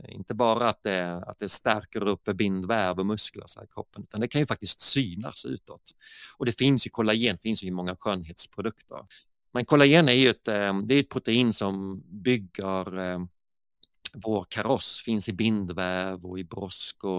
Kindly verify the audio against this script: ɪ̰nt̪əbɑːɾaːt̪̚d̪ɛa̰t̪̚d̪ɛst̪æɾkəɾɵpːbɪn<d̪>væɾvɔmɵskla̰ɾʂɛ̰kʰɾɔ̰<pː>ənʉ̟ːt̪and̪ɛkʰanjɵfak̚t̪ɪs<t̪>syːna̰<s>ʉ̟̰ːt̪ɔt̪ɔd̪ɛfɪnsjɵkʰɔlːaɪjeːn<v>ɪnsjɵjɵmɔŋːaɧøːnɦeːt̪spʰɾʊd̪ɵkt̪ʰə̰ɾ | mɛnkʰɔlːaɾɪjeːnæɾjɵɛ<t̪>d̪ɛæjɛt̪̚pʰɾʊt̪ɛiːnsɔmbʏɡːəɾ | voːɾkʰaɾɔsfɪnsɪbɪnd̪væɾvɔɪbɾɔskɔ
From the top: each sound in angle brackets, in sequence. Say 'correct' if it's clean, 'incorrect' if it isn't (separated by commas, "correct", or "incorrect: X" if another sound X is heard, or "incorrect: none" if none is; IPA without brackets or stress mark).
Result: correct, correct, correct, correct, incorrect: f, correct